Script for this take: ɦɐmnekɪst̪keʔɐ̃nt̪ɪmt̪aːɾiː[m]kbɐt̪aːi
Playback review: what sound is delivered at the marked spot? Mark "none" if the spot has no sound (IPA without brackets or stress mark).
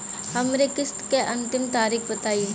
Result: none